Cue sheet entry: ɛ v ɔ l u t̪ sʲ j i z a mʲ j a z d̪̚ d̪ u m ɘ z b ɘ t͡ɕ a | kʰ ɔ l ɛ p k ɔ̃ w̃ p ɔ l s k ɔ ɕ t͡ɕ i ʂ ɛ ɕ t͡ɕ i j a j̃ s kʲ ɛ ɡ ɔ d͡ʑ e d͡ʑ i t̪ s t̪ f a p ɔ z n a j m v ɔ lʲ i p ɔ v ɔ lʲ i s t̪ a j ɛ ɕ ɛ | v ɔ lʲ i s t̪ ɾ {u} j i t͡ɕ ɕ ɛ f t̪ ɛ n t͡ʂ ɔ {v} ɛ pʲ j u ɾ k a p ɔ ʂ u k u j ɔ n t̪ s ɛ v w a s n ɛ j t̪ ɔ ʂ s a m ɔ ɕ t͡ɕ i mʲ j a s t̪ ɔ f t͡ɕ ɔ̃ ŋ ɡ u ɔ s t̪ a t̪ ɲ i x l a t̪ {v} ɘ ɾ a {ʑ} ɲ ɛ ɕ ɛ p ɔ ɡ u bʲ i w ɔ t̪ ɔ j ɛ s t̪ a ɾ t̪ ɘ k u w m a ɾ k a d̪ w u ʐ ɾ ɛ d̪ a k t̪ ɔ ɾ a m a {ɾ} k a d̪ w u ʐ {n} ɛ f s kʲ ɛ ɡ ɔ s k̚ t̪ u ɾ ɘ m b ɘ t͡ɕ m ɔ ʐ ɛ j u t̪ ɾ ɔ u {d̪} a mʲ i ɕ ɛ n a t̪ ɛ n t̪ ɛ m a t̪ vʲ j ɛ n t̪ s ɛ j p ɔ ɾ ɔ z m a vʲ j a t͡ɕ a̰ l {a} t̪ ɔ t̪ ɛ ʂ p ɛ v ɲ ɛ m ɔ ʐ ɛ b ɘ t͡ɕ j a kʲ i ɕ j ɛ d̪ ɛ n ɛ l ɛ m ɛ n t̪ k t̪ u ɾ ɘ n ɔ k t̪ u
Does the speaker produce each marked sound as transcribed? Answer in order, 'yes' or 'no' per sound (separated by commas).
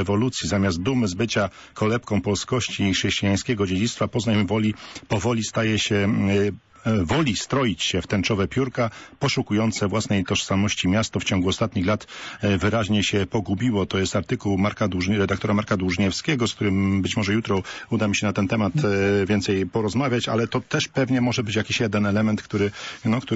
no, yes, yes, yes, yes, no, yes, no